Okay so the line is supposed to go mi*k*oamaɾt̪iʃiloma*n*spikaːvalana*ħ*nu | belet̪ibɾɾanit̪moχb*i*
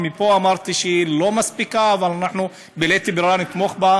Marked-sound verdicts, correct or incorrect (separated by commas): incorrect, incorrect, correct, incorrect